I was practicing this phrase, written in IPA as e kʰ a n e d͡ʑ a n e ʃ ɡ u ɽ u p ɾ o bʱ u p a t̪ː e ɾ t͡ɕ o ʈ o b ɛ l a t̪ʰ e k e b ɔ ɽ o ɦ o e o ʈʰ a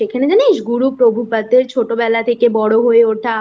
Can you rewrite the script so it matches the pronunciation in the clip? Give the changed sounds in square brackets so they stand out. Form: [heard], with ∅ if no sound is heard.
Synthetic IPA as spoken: e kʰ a n e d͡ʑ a n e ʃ ɡ u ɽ u p ɾ o bʱ u p a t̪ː e ɾ [t͡ɕʰ] o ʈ o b ɛ l a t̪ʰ e k e b ɔ ɽ o ɦ o e o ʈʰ a